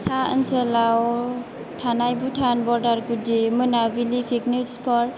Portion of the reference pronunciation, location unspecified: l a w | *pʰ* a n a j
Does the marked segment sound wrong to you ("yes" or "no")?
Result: yes